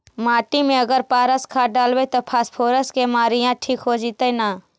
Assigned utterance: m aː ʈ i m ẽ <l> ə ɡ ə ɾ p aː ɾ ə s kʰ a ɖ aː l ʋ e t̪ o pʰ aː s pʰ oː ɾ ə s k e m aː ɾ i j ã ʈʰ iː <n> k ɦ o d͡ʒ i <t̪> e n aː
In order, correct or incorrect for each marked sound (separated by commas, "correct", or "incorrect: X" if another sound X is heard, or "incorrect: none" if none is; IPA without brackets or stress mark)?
incorrect: none, incorrect: none, correct